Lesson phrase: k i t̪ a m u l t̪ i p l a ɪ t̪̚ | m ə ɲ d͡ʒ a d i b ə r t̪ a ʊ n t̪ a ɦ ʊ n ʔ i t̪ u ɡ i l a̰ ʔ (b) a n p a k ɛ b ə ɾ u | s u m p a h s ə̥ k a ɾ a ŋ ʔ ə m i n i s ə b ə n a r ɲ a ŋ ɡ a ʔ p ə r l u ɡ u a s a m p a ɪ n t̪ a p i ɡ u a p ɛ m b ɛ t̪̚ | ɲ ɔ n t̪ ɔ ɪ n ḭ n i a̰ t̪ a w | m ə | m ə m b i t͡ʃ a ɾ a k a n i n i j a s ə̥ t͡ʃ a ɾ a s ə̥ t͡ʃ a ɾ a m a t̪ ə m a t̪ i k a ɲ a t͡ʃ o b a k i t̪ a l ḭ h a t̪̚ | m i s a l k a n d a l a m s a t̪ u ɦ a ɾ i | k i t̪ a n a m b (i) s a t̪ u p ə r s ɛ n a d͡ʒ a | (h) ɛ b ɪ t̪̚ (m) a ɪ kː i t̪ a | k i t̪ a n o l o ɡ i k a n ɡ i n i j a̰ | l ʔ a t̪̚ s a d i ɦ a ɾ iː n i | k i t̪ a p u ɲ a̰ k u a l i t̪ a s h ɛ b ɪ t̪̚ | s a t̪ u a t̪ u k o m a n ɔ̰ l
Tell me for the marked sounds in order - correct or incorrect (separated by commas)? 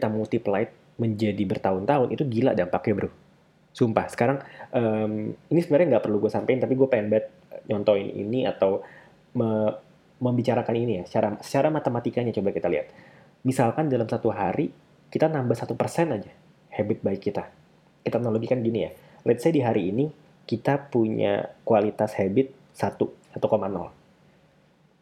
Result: incorrect, incorrect, correct, incorrect